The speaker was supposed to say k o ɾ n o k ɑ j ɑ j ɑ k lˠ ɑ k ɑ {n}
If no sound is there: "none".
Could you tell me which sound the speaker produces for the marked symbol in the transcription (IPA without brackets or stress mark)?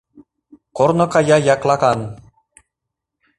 n